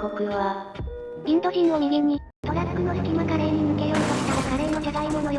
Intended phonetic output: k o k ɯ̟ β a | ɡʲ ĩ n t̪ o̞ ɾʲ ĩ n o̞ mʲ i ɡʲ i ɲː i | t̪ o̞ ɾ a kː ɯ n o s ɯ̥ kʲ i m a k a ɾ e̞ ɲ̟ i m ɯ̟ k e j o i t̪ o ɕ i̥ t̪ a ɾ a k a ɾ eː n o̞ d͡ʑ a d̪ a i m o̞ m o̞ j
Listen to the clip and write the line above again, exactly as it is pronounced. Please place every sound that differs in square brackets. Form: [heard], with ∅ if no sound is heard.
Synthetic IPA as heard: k o k ɯ̟ β a | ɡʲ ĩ n t̪ o̞ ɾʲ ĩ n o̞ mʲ i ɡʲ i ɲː i | t̪ o̞ ɾ a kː ɯ n o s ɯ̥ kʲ i m a k a ɾ e̞ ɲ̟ i m ɯ̟ k e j o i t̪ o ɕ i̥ t̪ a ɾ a k a ɾ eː n o̞ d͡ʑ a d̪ a i m o̞ [n] o̞ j

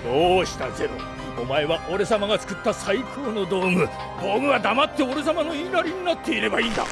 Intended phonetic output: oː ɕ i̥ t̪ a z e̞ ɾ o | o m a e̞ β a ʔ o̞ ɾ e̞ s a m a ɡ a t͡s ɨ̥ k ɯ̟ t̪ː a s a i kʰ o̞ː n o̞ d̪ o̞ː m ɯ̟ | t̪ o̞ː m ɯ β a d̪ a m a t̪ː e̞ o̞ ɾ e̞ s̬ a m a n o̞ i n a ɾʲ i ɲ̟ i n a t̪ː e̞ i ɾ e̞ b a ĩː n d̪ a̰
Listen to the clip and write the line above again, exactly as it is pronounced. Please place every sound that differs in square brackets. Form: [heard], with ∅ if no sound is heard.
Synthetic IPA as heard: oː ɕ i̥ t̪ a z e̞ ɾ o | o m a e̞ β a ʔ o̞ ɾ e̞ s a m a ɡ a t͡s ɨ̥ k ɯ̟ t̪ː a s a i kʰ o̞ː n o̞ d̪ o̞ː m ɯ̟ | [d̪] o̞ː m ɯ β a d̪ a m a t̪ː e̞ o̞ ɾ e̞ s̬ a m a n o̞ i n a ɾʲ i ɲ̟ i n a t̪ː e̞ i ɾ e̞ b a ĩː n d̪ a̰

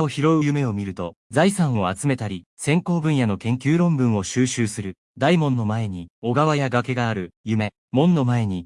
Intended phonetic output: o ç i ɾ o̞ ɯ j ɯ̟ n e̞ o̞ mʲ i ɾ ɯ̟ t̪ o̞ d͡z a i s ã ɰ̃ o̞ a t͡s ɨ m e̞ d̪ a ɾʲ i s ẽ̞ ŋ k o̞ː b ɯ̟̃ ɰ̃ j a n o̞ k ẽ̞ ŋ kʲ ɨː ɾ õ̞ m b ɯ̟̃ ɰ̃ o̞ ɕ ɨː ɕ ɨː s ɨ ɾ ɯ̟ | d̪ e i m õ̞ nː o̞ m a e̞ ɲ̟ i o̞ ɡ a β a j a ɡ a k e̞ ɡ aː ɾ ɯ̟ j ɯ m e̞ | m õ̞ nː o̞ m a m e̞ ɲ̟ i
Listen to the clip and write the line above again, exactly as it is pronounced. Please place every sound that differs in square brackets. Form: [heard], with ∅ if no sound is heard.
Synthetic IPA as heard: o ç i ɾ o̞ ɯ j ɯ̟ [m] e̞ o̞ mʲ i ɾ ɯ̟ t̪ o̞ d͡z a i s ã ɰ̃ o̞ a t͡s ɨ m e̞ [t̪] a ɾʲ i s ẽ̞ ŋ k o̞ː b ɯ̟̃ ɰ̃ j a n o̞ k ẽ̞ ŋ kʲ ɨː ɾ õ̞ m b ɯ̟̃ ɰ̃ o̞ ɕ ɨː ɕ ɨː s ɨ ɾ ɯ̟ | d̪ [a] i m õ̞ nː o̞ m a e̞ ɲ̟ i o̞ ɡ a β a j a ɡ a k e̞ ɡ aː ɾ ɯ̟ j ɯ m e̞ | m õ̞ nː o̞ m a [∅] e̞ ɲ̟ i

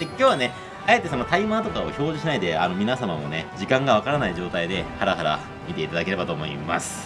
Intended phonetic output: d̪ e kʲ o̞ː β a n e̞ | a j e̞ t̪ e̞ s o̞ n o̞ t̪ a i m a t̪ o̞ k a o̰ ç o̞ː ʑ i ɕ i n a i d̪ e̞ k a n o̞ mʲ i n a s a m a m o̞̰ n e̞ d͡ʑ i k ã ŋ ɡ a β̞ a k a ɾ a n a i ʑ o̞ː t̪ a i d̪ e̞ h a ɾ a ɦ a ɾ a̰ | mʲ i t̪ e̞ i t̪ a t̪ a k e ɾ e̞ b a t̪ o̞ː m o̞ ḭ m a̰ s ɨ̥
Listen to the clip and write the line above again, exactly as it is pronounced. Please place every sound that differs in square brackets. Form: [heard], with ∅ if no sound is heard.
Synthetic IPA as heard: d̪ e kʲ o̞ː β a n e̞ | a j e̞ t̪ e̞ s o̞ n o̞ t̪ a i m a t̪ o̞ k a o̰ ç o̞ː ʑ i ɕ i n a i d̪ e̞ [∅] a n o̞ mʲ i n a s a m a m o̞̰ n e̞ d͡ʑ i k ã ŋ ɡ a β̞ a k a ɾ a n a i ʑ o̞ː t̪ a i d̪ e̞ h a ɾ a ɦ a ɾ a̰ | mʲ i t̪ e̞ i t̪ a [d̪] a k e ɾ e̞ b a t̪ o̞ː m o̞ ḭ m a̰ s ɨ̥

